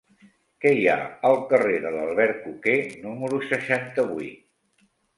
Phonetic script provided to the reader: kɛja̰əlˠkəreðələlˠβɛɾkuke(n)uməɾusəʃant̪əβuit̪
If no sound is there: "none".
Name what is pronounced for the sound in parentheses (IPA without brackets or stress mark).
n